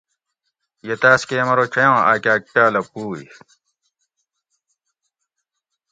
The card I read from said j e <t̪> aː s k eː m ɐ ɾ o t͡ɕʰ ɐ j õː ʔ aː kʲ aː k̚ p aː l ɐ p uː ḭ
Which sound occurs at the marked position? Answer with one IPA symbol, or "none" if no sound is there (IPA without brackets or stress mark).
t̪